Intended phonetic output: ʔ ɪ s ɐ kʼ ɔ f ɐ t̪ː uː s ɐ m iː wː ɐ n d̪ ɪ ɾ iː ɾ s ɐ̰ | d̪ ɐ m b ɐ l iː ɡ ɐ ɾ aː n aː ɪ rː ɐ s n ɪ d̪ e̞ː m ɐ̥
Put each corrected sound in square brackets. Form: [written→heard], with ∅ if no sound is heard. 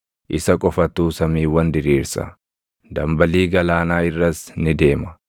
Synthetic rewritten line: ʔ ɪ s ɐ kʼ ɔ f ɐ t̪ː uː s ɐ m iː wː ɐ n d̪ ɪ ɾ iː ɾ s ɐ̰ | d̪ ɐ m b ɐ l iː ɡ ɐ [ɾ→l] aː n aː ɪ rː ɐ s n ɪ d̪ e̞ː m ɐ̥